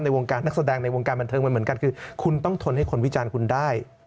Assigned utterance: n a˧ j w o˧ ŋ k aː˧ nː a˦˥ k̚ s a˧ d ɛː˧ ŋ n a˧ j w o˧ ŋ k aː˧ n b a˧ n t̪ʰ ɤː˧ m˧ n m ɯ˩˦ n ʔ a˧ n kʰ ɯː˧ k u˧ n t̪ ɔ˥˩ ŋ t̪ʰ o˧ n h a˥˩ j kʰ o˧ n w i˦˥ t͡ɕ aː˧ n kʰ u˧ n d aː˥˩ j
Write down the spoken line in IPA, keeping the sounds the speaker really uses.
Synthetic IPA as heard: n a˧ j w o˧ ŋ k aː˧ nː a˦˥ k̚ s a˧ d ɛː˧ ŋ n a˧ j w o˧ ŋ k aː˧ n b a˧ n t̪ʰ ɤː˧ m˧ n m ɯ˩˦ n k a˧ n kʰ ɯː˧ kʰ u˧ n t̪ ɔ˥˩ ŋ t̪ʰ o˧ n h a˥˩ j kʰ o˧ n w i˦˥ t͡ɕ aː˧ n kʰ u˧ n d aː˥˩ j